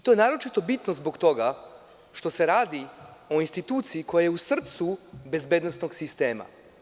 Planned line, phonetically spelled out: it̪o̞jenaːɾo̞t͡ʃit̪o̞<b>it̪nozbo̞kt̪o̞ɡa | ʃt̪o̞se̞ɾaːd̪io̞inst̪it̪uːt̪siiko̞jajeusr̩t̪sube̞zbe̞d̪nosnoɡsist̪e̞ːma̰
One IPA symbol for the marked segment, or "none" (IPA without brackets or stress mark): b